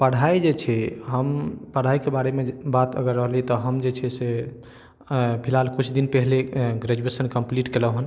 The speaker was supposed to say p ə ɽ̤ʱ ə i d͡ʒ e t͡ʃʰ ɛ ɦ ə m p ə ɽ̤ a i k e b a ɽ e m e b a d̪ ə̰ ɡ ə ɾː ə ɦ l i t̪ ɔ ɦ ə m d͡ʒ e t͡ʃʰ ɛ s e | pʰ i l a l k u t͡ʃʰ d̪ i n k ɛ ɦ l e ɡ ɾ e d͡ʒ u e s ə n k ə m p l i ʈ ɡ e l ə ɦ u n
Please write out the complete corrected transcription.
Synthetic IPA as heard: p ə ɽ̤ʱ a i d͡ʒ e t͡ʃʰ ɛ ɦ ə m p ə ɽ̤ a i k e b a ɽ e m e b a t̪ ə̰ ɡ ə ɾː ə ɦ l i t̪ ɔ ɦ ə m d͡ʒ e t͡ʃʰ ɛ s e | pʰ i l a l k u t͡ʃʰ d̪ i n p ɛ ɦ l e ɡ ɾ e d͡ʒ u e s ə n k ə m p l i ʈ k e l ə ɦ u n

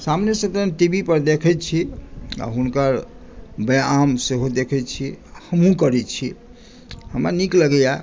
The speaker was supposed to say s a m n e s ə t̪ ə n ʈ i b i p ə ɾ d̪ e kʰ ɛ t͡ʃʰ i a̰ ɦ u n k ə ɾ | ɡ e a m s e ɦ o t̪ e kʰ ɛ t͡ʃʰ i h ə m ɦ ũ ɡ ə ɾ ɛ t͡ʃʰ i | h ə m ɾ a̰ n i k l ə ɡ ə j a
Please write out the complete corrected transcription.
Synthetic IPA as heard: s a m n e s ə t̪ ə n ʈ i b i p ə ɾ d̪ e kʰ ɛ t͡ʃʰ i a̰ ɦ u n k ə ɾ | b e a m s e ɦ o d̪ e kʰ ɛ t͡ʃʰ i h ə m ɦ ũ k ə ɾ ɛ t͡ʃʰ i | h ə m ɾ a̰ n i k l ə ɡ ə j a

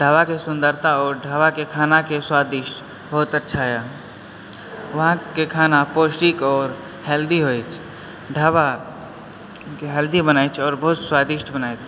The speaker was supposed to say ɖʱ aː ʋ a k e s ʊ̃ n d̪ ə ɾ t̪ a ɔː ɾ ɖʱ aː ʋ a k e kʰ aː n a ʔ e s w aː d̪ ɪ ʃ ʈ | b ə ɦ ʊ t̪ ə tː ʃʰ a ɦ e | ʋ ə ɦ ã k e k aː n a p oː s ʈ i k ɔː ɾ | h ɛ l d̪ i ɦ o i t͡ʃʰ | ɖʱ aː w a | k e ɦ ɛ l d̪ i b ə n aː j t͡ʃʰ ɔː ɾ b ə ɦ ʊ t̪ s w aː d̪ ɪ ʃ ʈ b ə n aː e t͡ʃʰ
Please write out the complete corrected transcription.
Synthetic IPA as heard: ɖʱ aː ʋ a k e s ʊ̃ n d̪ ə ɾ t̪ a ɔː ɾ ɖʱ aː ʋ a k e kʰ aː n a k e s w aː d̪ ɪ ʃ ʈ | b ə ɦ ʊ t̪ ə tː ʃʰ a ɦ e | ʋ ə ɦ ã k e kʰ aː n a p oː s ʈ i k ɔː ɾ | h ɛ l d̪ i ɦ o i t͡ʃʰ | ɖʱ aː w a | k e ɦ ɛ l d̪ i b ə n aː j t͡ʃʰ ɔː ɾ b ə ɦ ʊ t̪ s w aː d̪ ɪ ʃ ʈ b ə n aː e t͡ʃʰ

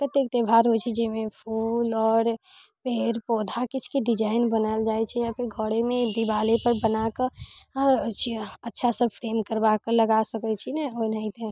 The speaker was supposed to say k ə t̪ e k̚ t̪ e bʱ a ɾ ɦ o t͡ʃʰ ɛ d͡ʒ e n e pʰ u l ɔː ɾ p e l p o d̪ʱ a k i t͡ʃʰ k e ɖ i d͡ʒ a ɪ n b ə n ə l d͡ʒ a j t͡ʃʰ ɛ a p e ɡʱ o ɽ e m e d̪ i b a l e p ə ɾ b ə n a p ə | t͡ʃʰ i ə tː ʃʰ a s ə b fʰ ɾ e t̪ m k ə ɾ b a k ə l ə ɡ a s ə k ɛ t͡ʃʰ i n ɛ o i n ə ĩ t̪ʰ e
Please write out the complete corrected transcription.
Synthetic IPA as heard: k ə t̪ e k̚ t̪ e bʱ a ɾ ɦ o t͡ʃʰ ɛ d͡ʒ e m e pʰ u l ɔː ɾ p e ɾ p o d̪ʱ a k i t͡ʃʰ k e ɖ i d͡ʒ a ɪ n b ə n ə l d͡ʒ a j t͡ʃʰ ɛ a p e ɡʱ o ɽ e m e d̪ i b a l e p ə ɾ b ə n a k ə | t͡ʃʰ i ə tː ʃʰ a s ə b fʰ ɾ e m k ə ɾ b a k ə l ə ɡ a s ə k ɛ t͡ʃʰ i n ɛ o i n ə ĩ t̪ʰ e

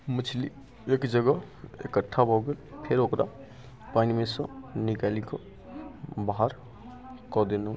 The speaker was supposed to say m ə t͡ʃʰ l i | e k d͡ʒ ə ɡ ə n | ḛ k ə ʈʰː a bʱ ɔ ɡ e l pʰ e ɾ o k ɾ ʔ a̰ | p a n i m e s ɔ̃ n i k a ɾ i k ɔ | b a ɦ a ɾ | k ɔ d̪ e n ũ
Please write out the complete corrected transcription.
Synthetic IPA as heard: m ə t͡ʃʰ l i | e k d͡ʒ ə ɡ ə | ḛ k ə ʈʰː a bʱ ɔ ɡ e l pʰ e ɾ o k ɾ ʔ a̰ | p a n i m e s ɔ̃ n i k a l i k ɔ | b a ɦ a ɾ | k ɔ d̪ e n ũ

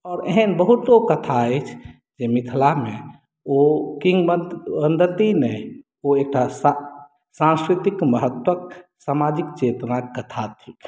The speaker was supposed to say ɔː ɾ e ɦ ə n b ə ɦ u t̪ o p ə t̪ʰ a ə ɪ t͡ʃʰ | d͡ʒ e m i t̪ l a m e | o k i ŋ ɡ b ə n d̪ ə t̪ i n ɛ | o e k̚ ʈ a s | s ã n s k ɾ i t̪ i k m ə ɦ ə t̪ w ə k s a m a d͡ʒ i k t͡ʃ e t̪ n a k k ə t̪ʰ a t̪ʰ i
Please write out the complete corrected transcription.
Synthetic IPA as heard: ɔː ɾ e ɦ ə n b ə ɦ u t̪ o k ə t̪ʰ a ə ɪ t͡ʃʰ | d͡ʒ e m i t̪ʰ l a m e | o k i ŋ ɡ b ə n d̪ ə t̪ i n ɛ | o e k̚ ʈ a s | s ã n s k ɾ i t̪ i k m ə ɦ ə t̪ w ə k s a m a d͡ʒ i k t͡ʃ e t̪ n a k k ə t̪ʰ a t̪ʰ i

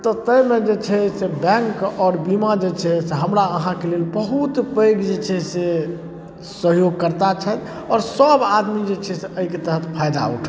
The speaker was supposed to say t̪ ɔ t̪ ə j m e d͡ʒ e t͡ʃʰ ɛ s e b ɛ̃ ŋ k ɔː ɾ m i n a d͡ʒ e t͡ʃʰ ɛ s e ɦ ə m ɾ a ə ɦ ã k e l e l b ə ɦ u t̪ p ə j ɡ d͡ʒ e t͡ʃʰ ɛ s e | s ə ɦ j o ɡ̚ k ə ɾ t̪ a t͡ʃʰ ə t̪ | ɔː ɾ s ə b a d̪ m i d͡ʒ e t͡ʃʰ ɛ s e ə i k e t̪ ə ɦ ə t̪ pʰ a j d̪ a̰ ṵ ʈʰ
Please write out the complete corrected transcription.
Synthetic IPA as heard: t̪ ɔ t̪ ə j m e d͡ʒ e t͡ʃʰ ɛ s e b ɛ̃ ŋ k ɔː ɾ b i m a d͡ʒ e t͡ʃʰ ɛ s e ɦ ə m ɾ a ə ɦ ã k e l e l b ə ɦ u t̪ p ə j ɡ d͡ʒ e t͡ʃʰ ɛ s e | s ə ɦ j o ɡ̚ k ə ɾ t̪ a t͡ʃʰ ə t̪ | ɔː ɾ s ə b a d̪ m i d͡ʒ e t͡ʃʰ ɛ s e ə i k e t̪ ə ɦ ə t̪ pʰ a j d̪ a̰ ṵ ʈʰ

